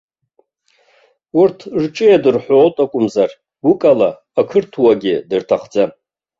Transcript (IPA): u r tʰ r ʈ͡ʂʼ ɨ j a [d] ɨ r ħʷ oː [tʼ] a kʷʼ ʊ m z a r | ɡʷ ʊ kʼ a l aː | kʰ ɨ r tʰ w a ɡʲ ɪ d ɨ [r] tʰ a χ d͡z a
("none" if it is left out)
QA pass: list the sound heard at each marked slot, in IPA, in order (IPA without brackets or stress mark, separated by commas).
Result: d, tʼ, r